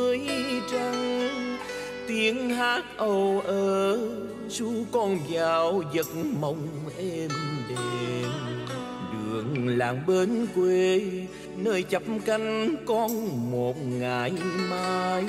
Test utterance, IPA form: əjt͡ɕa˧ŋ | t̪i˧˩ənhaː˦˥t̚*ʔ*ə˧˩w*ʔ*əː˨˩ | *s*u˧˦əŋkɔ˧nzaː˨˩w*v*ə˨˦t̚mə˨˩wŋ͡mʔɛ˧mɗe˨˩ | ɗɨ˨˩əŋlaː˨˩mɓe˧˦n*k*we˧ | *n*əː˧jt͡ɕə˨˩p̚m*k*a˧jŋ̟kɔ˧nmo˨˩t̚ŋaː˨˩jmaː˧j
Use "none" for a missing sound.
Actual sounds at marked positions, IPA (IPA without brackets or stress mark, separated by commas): ʔ, ʔ, s, z, k, n, k